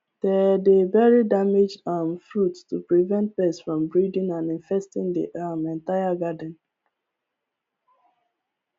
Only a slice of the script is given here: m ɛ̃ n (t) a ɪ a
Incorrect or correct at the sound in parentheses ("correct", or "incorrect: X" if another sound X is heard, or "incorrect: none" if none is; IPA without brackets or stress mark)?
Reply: correct